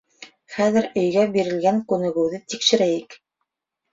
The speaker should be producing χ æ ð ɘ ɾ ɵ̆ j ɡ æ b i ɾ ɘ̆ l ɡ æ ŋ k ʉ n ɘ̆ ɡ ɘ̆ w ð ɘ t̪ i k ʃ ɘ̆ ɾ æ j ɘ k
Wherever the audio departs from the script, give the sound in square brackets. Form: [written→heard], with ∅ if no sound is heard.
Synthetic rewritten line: χ æ ð ɘ ɾ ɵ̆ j ɡ æ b i ɾ ɘ̆ l ɡ æ ŋ k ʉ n ɘ̆ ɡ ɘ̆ w ð ɘ t̪ i k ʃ ɘ̆ ɾ æ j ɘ k